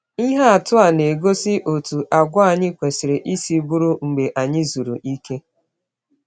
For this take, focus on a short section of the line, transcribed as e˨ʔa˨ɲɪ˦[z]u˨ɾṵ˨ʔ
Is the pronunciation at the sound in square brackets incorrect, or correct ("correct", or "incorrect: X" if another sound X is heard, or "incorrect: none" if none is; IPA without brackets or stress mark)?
correct